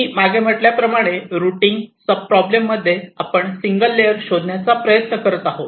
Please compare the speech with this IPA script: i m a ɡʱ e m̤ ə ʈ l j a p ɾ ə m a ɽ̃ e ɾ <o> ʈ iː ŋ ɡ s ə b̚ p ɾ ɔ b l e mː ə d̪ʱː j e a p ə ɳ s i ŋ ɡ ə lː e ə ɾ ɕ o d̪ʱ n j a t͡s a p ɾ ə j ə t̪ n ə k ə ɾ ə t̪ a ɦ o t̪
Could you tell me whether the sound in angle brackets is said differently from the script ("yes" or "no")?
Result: yes